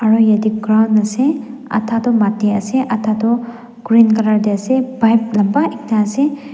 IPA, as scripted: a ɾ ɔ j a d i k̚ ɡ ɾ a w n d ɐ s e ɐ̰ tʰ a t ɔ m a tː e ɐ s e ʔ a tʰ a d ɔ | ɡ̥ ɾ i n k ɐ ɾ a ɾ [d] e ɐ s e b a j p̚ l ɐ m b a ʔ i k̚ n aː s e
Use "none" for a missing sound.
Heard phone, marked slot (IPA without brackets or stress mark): d